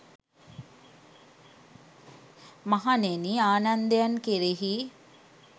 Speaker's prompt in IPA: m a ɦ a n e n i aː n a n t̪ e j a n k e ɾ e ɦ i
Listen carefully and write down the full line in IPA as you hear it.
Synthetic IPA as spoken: m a ɦ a n e n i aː n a n d̪ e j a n k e ɾ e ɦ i